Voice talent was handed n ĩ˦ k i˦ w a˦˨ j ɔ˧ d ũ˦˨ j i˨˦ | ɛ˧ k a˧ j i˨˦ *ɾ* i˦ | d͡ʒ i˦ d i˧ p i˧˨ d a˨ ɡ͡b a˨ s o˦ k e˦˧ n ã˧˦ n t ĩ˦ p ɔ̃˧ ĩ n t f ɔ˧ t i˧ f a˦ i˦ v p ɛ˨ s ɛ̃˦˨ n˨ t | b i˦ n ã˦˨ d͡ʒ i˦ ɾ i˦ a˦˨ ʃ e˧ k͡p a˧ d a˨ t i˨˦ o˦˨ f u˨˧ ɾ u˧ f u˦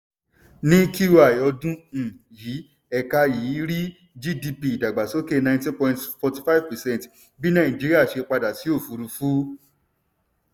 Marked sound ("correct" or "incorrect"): correct